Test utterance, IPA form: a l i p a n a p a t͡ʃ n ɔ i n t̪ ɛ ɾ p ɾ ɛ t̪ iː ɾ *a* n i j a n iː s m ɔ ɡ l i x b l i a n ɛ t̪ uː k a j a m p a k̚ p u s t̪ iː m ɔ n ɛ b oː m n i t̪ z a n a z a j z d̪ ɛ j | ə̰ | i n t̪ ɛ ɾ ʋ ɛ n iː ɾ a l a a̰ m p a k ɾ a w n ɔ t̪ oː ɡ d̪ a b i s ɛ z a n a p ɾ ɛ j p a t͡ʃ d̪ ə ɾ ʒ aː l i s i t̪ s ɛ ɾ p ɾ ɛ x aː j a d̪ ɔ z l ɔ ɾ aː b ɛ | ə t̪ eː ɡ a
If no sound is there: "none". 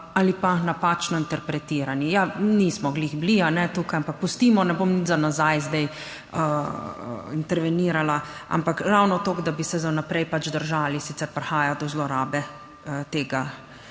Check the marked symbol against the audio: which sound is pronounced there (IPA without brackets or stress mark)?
a